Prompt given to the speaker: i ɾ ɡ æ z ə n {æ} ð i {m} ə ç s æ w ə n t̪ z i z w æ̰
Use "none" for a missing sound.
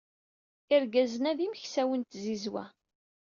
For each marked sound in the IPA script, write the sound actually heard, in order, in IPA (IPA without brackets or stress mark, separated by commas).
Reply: æ, m